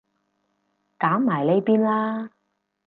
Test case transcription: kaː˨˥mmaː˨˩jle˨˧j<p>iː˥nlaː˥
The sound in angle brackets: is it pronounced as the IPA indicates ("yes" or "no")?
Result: yes